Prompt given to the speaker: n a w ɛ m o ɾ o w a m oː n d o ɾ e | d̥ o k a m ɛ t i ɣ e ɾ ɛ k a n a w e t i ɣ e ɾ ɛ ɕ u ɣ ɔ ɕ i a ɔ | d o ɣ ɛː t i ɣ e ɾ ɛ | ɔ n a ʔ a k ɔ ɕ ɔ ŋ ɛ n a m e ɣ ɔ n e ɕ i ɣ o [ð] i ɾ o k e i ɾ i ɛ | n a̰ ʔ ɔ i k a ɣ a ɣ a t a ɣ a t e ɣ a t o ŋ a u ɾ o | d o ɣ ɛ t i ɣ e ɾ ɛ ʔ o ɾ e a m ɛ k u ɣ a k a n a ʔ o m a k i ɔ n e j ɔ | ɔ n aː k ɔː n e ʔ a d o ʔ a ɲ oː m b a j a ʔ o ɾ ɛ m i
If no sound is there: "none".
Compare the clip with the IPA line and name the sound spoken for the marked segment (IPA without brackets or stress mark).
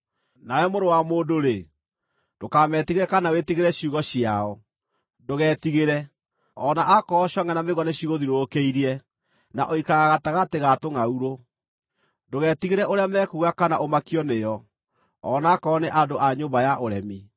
ð